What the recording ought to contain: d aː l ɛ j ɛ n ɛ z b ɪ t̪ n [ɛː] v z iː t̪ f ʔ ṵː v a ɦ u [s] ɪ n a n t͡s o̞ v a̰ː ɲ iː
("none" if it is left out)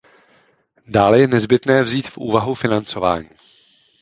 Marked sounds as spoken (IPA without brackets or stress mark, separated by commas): ɛː, f